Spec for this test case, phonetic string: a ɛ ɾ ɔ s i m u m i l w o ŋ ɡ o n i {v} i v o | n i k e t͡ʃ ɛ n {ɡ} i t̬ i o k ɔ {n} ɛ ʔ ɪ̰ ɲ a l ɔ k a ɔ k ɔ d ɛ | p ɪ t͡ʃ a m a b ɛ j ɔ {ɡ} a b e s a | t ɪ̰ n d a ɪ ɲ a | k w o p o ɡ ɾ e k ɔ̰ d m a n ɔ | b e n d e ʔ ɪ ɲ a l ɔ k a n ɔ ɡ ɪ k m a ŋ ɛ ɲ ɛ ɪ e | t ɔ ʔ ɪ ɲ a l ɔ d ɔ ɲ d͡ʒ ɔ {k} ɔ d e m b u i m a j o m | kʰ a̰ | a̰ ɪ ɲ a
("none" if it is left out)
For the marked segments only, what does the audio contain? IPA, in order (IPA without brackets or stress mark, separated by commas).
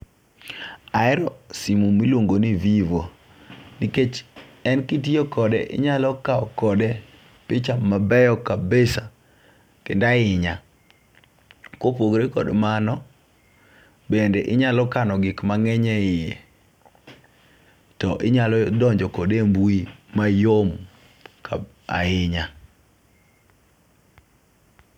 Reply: v, k, d, k, k